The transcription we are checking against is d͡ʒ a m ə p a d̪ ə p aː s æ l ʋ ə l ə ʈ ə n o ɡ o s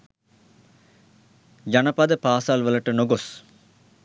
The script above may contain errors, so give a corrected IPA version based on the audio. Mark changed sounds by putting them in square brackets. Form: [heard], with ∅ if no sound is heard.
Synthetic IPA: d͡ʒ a [n] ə p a d̪ ə p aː s [a] l ʋ ə l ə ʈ ə n o ɡ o s

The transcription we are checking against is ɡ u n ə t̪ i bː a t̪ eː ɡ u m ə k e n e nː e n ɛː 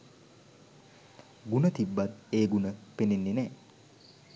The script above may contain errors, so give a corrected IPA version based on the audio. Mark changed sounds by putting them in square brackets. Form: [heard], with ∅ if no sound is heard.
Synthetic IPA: ɡ u n ə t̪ i bː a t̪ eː ɡ u [n] ə [p] e n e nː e n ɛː

